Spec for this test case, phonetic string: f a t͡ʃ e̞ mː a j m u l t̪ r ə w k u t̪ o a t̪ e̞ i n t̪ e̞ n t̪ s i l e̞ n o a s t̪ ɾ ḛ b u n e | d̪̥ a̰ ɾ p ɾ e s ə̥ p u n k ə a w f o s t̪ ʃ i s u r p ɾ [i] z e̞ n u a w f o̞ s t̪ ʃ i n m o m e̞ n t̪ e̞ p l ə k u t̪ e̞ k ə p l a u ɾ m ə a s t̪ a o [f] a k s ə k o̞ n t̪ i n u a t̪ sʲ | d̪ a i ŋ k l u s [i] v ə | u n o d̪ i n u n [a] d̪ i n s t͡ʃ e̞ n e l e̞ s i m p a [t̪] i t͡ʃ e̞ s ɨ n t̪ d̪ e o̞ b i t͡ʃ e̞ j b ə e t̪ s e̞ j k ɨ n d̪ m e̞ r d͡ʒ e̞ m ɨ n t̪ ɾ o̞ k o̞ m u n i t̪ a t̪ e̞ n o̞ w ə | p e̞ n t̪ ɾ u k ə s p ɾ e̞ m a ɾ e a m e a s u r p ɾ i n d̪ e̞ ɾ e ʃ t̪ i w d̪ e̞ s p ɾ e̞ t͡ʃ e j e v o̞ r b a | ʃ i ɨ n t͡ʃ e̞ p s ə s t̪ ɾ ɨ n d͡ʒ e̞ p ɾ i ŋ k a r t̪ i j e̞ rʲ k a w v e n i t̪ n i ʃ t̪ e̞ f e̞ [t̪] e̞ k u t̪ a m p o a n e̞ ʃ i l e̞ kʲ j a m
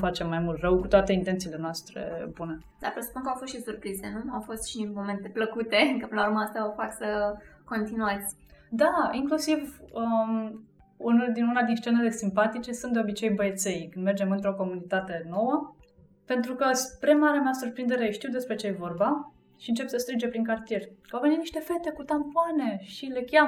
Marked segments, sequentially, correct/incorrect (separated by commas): correct, correct, correct, correct, correct, correct